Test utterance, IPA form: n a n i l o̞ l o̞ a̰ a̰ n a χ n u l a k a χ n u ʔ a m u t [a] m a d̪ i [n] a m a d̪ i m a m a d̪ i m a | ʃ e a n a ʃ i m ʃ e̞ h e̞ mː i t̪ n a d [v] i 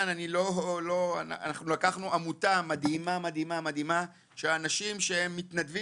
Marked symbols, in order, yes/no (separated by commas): yes, no, yes